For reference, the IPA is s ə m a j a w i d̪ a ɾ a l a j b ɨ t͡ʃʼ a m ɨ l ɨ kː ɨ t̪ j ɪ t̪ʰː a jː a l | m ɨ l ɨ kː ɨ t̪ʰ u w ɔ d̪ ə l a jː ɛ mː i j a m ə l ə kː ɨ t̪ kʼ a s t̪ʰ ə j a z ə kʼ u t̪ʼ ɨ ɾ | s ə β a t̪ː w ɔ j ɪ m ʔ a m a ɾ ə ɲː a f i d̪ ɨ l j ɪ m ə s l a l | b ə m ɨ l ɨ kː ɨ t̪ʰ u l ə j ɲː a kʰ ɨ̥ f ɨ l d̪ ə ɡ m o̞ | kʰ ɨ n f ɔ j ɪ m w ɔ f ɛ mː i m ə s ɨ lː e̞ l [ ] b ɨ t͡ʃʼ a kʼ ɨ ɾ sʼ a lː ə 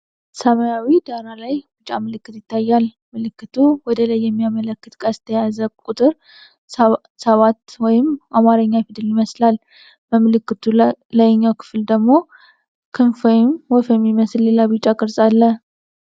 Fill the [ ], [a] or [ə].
a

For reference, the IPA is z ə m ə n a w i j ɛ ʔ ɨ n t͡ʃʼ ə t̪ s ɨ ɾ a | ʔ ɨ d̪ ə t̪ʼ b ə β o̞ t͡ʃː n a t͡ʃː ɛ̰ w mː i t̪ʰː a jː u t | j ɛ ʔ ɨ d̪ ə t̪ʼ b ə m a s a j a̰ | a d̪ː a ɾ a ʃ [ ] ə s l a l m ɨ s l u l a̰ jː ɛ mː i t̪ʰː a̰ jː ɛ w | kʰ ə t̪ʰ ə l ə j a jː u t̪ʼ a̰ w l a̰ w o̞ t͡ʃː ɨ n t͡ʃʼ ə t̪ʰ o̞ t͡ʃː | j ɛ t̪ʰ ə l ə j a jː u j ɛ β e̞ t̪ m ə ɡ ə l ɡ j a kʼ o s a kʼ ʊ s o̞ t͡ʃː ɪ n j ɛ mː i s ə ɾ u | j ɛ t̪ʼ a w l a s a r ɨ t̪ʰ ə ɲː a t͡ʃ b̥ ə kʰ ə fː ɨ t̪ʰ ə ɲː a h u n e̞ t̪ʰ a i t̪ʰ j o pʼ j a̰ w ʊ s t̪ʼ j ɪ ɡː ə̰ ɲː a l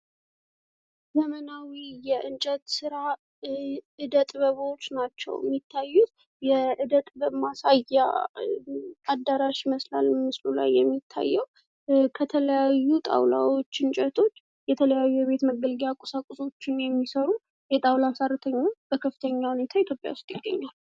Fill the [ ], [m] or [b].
m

